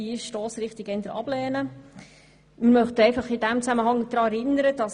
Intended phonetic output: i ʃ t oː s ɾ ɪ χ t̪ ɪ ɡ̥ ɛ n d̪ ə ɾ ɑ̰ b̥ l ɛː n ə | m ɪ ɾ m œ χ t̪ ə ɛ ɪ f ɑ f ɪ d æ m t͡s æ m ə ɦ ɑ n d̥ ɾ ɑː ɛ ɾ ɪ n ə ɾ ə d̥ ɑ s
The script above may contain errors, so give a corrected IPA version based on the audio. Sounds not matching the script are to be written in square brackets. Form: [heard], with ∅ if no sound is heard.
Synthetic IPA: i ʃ t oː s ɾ ɪ χ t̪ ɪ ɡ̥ ɛ n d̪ ə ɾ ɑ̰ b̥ l ɛː n ə | m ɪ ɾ m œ χ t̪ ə ɛ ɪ f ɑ [χ] ɪ d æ m t͡s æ m ə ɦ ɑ [ŋ] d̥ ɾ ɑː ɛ ɾ ɪ n ə ɾ ə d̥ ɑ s